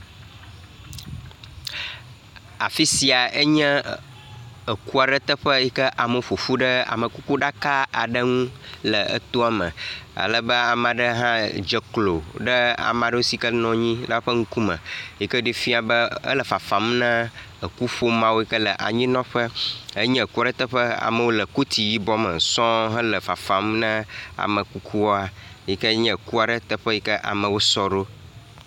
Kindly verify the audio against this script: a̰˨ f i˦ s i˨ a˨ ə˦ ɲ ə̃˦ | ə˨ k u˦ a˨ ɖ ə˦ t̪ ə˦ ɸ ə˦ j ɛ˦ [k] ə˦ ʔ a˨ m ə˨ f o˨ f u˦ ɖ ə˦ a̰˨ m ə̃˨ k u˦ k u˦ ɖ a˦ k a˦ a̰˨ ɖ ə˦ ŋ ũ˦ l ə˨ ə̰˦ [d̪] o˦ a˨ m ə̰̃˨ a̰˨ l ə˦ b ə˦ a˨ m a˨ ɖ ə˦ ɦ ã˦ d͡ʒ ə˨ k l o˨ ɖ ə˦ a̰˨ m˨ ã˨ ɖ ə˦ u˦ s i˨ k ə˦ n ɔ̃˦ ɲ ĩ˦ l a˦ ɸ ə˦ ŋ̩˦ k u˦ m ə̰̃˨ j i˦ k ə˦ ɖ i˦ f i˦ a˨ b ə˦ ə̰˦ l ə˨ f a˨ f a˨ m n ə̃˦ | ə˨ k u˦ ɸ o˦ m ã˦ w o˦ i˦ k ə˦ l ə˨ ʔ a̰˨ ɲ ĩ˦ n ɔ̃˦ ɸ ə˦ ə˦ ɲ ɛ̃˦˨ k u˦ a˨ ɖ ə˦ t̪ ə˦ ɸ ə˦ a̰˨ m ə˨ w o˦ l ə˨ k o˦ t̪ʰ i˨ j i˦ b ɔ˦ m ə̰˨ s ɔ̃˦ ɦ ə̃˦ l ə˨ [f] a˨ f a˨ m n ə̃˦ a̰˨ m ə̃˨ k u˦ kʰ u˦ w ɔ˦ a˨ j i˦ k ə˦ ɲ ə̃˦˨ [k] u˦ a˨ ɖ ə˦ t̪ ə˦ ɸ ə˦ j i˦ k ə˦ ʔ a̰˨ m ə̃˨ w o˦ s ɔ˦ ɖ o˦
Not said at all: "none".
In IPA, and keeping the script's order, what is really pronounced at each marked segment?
k, t̪, f, k

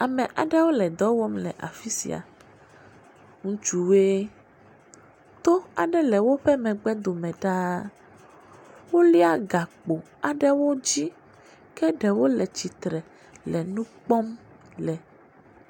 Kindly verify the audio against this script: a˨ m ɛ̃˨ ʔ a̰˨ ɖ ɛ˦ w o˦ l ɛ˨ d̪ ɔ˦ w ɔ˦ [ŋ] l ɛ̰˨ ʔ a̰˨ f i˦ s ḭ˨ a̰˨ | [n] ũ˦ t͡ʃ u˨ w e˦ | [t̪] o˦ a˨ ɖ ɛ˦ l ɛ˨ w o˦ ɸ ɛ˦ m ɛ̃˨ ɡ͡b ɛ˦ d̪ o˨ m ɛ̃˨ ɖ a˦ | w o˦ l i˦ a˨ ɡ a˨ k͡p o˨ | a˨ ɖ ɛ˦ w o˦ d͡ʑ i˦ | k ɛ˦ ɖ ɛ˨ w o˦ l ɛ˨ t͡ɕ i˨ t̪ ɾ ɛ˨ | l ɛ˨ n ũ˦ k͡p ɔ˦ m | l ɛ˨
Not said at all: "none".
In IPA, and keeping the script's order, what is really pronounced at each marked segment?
m, ŋ, t̪

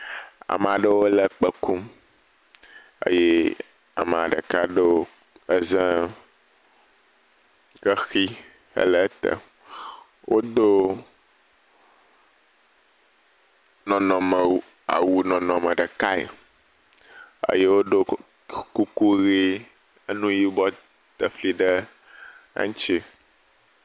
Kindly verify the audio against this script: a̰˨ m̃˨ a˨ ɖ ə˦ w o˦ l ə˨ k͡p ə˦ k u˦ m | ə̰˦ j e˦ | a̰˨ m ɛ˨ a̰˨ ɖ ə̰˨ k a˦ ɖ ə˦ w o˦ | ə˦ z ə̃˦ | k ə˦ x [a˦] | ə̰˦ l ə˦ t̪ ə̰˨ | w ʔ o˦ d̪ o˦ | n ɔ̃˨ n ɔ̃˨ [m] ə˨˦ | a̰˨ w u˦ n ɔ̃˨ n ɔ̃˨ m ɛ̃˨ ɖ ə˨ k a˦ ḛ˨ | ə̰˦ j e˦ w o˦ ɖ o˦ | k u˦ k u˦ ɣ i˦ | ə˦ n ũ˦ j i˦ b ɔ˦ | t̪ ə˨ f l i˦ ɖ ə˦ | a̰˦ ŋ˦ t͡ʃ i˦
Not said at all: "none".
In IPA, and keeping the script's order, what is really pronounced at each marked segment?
i˦, m

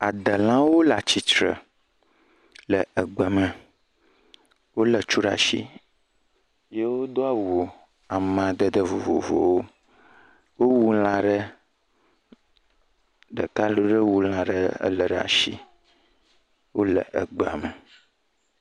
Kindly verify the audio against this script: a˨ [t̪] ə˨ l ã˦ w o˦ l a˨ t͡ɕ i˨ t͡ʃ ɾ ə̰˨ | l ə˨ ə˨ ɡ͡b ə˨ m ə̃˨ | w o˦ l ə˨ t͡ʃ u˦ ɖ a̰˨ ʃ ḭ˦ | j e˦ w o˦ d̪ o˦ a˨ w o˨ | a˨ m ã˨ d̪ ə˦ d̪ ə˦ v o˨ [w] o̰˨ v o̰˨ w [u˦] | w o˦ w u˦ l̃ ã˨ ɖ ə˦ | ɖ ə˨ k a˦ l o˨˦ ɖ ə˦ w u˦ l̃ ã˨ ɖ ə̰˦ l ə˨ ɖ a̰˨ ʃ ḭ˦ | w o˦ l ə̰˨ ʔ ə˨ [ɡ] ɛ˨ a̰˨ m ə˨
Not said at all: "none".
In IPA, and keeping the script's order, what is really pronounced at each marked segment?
d̪, v, o˦, ɡ͡b

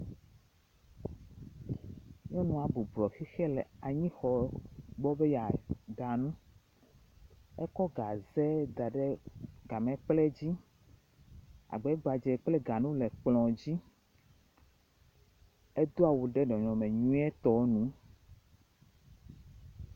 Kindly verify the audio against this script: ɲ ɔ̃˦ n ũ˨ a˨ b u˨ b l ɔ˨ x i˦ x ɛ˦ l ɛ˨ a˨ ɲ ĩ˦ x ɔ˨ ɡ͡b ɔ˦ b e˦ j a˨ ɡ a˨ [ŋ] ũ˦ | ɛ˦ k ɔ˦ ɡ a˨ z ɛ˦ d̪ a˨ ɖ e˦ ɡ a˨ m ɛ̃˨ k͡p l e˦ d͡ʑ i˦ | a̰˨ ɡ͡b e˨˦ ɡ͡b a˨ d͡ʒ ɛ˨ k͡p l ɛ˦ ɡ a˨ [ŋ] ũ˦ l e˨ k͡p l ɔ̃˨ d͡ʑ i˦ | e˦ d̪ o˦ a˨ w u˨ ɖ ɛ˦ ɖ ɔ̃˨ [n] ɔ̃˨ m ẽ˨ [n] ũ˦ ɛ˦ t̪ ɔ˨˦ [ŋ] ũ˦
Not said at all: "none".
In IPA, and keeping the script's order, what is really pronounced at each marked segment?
n, n, ɲ, ɲ, n

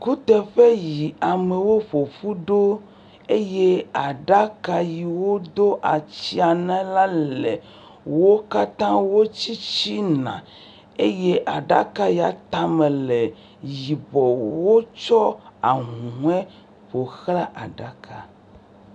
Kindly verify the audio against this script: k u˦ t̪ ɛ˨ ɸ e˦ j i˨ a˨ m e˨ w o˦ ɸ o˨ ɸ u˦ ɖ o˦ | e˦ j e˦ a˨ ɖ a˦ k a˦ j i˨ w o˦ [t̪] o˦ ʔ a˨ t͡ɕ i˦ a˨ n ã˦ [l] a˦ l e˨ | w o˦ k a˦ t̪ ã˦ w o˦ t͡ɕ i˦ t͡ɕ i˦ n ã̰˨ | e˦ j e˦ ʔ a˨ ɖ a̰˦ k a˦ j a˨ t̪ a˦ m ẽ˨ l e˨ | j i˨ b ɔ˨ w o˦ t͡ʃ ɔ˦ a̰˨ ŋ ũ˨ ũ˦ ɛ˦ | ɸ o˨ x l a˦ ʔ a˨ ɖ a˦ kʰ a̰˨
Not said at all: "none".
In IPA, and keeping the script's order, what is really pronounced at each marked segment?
d̪, l

